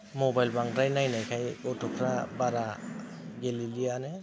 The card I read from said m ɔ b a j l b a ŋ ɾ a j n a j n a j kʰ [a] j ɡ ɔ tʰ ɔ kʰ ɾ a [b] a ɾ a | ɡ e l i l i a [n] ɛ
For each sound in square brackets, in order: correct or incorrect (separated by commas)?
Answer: correct, correct, correct